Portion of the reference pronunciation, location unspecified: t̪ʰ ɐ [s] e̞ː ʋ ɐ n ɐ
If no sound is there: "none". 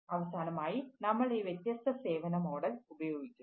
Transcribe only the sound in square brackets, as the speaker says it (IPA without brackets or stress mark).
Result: s